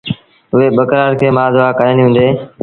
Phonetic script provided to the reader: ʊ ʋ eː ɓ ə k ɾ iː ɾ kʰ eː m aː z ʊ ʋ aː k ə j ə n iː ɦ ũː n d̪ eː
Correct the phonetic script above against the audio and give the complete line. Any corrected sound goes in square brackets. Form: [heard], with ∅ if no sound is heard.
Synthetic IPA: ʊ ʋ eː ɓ ə k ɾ [aː] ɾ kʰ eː m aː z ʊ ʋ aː k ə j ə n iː ɦ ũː n d̪ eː